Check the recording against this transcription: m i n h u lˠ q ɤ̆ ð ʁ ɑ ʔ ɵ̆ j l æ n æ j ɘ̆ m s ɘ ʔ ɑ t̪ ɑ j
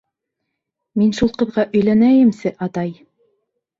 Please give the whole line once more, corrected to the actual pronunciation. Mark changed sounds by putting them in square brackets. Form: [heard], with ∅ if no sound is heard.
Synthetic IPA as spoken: m i n [ʃ] u lˠ q ɤ̆ ð ʁ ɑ ʔ ɵ̆ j l æ n æ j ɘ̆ m s ɘ ʔ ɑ t̪ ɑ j